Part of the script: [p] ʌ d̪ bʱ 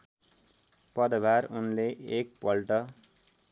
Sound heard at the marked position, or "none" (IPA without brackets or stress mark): p